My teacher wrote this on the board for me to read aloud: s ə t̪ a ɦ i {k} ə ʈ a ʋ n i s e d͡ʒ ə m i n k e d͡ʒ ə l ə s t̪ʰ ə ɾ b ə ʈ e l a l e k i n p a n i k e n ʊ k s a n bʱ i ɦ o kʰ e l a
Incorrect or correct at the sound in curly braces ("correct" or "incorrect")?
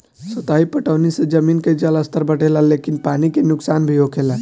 incorrect